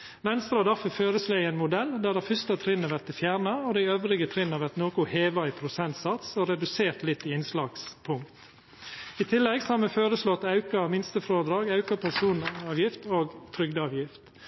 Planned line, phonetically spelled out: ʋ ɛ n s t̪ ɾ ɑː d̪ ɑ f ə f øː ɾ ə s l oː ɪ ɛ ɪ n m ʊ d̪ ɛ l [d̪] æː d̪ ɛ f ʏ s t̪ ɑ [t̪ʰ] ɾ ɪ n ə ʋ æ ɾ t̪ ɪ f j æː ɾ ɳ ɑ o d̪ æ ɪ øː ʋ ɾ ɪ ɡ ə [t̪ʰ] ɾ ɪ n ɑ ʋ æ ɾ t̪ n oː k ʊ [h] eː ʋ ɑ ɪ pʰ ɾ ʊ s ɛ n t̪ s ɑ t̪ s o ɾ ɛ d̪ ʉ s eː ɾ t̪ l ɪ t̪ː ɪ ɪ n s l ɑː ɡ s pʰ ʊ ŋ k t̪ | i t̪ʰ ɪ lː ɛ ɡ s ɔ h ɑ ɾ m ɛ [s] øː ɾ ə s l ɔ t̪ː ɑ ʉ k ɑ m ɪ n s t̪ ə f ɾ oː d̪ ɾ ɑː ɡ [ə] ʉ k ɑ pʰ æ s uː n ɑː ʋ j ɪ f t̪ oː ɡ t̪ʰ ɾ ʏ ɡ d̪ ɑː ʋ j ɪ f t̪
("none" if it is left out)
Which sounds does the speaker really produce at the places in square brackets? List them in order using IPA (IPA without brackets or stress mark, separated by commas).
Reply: d̪, t̪ʰ, t̪ʰ, h, f, ɑ